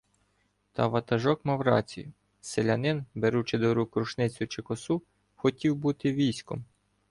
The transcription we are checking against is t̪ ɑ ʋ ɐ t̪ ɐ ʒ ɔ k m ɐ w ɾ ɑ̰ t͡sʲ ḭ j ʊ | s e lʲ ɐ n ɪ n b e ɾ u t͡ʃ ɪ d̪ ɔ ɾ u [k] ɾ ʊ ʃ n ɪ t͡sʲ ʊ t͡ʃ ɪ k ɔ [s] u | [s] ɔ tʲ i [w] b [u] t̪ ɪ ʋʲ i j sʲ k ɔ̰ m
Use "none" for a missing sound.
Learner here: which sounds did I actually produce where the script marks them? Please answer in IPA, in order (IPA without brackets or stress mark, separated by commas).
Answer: k, s, x, w, u